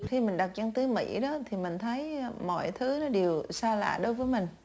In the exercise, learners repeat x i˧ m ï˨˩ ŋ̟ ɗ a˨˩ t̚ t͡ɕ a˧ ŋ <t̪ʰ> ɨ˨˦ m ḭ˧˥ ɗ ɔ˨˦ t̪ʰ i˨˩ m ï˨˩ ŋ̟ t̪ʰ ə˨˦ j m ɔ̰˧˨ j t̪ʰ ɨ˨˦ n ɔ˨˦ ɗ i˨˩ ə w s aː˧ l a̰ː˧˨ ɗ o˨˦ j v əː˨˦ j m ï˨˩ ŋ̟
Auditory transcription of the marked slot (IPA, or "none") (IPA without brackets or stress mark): t̪